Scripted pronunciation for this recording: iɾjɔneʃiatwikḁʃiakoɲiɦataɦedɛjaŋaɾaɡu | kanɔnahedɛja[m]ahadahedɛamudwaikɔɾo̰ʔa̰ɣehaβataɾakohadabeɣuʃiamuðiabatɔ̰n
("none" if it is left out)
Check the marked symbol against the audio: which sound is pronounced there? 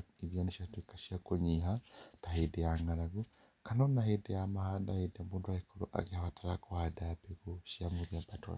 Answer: m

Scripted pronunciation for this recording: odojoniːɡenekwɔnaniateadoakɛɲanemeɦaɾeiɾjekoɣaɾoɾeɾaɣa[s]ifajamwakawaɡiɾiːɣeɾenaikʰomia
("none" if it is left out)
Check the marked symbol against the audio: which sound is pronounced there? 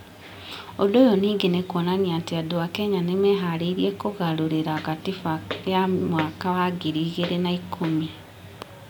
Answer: t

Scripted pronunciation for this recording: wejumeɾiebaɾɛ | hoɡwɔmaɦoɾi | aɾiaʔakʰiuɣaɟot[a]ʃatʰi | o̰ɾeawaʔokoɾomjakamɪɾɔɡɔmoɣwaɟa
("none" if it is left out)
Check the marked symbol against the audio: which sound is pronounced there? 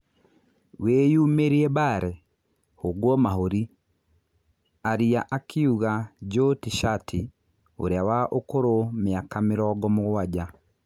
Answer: i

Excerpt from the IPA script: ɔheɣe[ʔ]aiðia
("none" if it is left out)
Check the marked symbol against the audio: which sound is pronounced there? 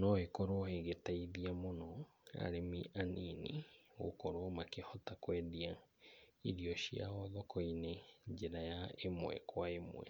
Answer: t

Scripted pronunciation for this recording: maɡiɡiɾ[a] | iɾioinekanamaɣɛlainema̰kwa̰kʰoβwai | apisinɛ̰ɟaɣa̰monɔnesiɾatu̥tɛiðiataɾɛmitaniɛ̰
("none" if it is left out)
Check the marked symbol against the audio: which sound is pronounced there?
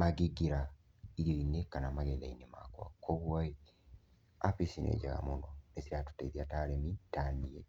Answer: a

